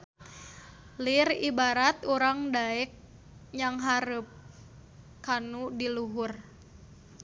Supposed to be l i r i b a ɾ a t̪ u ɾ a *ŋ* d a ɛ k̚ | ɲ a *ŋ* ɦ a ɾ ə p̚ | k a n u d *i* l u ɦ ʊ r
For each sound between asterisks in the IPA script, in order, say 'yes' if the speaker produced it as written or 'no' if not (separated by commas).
yes, yes, yes